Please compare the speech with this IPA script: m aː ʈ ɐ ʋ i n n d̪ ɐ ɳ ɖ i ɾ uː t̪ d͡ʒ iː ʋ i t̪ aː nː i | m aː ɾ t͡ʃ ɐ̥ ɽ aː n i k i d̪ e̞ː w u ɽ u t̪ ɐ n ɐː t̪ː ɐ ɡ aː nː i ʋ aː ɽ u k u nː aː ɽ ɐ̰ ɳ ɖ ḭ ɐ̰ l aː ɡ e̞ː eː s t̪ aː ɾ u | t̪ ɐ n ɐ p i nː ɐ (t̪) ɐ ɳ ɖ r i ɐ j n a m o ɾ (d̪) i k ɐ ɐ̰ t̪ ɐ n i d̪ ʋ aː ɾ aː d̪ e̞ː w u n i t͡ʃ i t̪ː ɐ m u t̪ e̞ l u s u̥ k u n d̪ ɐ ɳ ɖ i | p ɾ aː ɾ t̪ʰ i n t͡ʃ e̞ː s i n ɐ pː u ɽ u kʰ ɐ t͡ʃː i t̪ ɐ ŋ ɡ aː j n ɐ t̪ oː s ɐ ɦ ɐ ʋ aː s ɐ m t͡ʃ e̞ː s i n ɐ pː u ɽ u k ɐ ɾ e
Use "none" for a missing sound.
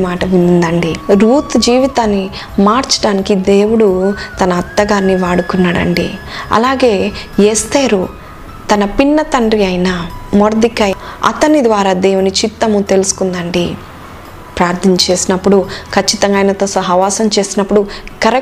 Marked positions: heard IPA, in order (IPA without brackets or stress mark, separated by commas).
t̪, d̪